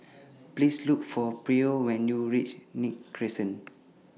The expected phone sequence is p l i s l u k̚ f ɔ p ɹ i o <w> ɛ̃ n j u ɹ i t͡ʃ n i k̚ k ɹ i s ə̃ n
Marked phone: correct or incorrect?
correct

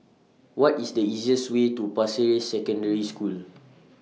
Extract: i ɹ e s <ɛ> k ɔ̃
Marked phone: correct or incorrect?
correct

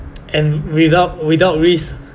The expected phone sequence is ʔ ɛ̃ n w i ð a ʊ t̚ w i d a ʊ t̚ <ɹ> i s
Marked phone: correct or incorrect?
correct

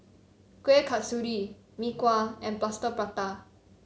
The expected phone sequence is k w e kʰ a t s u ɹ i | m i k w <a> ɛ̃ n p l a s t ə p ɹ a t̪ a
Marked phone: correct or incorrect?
correct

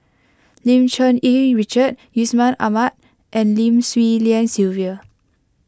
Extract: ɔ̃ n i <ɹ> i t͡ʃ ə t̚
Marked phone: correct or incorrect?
correct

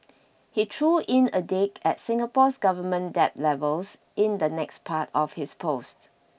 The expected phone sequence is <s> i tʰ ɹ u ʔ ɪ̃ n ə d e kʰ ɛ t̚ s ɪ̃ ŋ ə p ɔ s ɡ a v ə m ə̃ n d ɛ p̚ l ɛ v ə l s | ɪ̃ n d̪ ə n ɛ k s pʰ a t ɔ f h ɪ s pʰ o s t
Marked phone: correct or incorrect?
incorrect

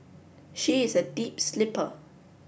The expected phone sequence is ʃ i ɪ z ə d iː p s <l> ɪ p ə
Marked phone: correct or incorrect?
correct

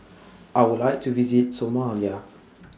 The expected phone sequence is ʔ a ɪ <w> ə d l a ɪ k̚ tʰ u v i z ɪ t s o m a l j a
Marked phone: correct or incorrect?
correct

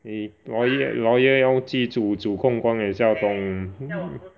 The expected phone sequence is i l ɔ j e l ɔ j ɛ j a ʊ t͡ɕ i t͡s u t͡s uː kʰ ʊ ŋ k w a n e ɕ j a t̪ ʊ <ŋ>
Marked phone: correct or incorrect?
correct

